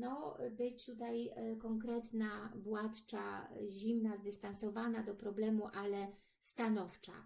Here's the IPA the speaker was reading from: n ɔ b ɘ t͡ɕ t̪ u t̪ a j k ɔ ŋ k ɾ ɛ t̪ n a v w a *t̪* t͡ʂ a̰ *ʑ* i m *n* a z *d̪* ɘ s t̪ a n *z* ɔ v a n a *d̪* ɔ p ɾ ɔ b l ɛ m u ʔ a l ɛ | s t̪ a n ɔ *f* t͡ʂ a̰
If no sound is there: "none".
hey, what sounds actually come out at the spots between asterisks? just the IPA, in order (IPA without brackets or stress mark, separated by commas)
t̪, ʑ, n, d̪, s, d̪, f